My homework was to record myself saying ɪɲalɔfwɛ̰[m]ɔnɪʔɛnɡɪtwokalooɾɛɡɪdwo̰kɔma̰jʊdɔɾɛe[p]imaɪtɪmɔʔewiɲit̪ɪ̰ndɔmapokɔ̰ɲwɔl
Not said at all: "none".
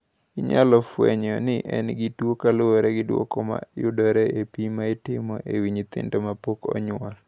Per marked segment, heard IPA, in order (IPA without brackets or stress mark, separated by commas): ɲ, p